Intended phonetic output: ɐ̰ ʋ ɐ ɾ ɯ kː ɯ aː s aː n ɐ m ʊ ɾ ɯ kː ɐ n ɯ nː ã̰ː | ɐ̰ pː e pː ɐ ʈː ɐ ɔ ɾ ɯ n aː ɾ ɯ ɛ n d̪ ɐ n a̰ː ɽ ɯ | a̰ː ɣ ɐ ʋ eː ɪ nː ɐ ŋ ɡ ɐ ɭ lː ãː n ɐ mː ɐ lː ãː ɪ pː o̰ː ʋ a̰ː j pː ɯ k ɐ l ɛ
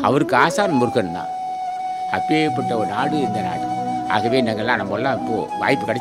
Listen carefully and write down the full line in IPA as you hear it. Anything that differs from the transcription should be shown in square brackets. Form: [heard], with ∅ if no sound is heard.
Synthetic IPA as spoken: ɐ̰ ʋ ɐ ɾ ɯ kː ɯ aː s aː n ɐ m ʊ ɾ ɯ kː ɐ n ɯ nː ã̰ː | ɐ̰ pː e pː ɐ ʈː ɐ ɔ ɾ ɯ n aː [ɽ] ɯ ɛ n d̪ ɐ n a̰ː ɽ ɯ | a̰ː ɣ ɐ ʋ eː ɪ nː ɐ ŋ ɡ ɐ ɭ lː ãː n ɐ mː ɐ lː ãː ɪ pː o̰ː ʋ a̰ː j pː ɯ k ɐ [ɽ] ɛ